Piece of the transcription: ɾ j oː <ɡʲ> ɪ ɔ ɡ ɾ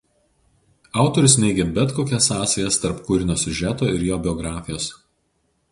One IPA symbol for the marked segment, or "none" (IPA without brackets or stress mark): bʲ